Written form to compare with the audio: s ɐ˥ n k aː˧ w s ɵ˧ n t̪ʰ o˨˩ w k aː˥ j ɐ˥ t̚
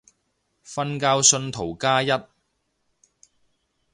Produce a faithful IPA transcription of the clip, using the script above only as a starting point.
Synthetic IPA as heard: f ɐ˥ n k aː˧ w s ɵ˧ n t̪ʰ o˨˩ w k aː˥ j ɐ˥ t̚